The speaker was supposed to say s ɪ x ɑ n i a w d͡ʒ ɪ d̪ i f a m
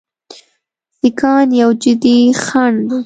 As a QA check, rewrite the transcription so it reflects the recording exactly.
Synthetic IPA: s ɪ k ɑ n j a w d͡ʒ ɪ d̪ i x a ɳ